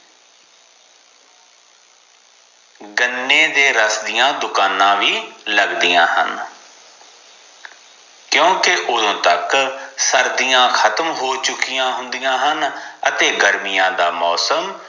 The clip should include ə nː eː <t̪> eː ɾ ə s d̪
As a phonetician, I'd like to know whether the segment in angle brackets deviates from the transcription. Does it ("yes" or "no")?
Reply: yes